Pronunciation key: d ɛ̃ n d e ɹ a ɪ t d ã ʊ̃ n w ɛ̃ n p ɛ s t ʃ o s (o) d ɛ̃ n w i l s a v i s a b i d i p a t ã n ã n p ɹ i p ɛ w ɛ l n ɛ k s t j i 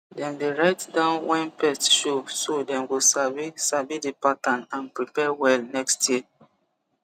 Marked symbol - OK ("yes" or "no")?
yes